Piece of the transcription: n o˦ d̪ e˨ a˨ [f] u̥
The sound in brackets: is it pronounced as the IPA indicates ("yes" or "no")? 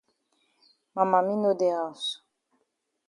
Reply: no